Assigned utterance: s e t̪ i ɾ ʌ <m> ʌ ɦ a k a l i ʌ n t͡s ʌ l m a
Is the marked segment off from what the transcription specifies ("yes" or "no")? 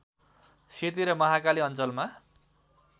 no